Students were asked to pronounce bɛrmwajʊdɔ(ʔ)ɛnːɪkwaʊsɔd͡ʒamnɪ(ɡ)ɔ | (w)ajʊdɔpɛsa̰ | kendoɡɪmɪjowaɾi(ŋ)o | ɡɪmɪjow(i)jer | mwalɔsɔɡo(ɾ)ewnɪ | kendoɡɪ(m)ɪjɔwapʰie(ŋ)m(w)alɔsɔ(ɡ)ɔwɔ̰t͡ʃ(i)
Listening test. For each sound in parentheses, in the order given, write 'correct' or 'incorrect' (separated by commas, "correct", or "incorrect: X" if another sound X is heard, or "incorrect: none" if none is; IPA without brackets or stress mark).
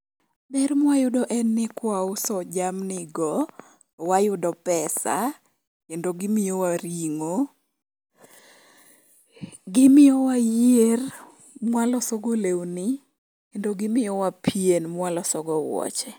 correct, correct, correct, correct, incorrect: a, incorrect: l, correct, incorrect: n, correct, correct, incorrect: ɛ